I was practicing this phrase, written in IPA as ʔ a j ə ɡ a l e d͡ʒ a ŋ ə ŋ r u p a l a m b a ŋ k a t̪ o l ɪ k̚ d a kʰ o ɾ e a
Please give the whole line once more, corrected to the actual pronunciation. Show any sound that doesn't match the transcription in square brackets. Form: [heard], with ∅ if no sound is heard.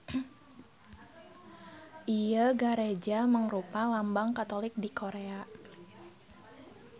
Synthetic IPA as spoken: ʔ [i] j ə ɡ a [ɾ] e d͡ʒ a [m] ə ŋ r u p a l a m b a ŋ k a t̪ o l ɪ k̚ d [i] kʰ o ɾ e a